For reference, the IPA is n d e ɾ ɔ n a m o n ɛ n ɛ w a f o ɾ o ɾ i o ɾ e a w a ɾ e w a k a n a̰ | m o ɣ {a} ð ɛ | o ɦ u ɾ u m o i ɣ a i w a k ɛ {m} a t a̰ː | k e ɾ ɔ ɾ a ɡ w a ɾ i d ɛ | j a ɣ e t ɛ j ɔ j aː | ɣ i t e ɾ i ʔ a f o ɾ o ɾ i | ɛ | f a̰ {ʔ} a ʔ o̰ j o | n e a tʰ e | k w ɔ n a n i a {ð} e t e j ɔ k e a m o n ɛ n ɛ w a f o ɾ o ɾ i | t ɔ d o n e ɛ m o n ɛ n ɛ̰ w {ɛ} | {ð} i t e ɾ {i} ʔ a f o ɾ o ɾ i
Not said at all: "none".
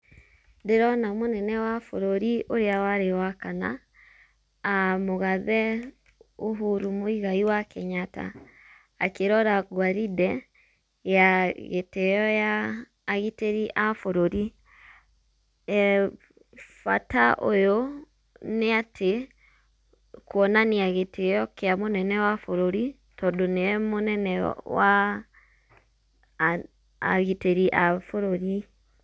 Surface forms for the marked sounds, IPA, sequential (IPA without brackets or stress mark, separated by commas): a, ɲ, t, ɣ, a, ɣ, i